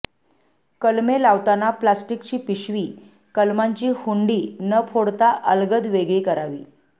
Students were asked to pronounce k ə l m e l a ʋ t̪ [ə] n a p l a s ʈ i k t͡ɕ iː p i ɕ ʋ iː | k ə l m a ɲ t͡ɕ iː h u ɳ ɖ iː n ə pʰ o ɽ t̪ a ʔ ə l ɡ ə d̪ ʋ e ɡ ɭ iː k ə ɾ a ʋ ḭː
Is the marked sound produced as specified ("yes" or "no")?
no